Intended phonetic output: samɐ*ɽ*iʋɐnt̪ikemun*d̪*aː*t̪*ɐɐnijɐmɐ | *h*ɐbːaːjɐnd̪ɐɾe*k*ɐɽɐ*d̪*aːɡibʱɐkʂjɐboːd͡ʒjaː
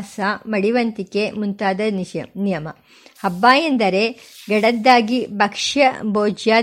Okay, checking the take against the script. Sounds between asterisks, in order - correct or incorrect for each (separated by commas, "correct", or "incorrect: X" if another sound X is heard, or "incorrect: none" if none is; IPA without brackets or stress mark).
correct, incorrect: t̪, incorrect: d̪, correct, incorrect: ɡ, incorrect: d̪ː